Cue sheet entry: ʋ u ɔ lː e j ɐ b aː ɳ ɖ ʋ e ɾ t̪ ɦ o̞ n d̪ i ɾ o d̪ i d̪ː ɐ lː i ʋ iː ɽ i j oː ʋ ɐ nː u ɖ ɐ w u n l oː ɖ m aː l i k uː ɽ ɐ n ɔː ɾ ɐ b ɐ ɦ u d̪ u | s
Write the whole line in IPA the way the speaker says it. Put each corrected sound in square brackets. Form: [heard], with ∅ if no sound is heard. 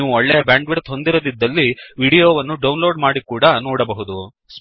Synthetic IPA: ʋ u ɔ [ɭː] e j ɐ b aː ɳ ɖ ʋ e ɾ t̪ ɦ o̞ n d̪ i ɾ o d̪ i d̪ː ɐ lː i ʋ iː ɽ i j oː ʋ ɐ nː u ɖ ɐ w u n l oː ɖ m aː [ɽ] i k uː ɽ ɐ n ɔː [ɽ] ɐ b ɐ ɦ u d̪ u | s